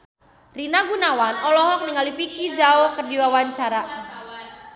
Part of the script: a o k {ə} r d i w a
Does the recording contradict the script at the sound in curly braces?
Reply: no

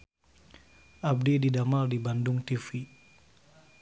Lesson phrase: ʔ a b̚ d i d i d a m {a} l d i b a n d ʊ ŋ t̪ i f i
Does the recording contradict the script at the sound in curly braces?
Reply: no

